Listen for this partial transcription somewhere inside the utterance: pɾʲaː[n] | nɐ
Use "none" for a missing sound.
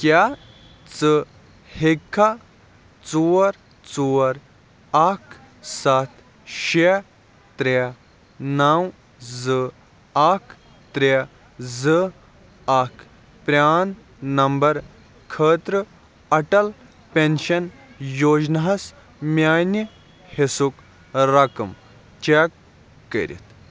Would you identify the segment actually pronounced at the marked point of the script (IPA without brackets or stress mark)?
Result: n